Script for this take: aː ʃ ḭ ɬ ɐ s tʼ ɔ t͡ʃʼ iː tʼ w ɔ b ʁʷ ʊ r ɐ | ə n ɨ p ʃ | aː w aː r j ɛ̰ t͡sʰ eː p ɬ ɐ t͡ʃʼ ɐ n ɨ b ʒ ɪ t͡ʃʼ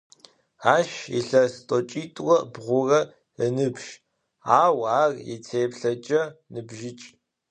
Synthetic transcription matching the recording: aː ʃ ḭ ɬ ɐ s tʼ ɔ t͡ʃʼ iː tʼ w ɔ b ʁʷ ʊ r ɐ | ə n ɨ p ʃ | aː w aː r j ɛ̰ t͡sʰ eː p ɬ ɐ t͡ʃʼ ɐ n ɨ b ʒ ɪ t͡ʃʼ